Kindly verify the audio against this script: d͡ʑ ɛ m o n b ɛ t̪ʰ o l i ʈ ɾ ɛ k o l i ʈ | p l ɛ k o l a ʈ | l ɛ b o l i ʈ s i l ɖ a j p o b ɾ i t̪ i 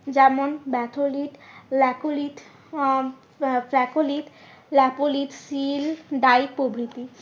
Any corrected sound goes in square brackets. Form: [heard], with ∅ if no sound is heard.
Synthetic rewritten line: d͡ʑ ɛ m o n b ɛ t̪ʰ o l i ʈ [l] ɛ k o l i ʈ | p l ɛ k o l [i] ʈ | l ɛ [p] o l i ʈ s i l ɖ a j p o b ɾ i t̪ i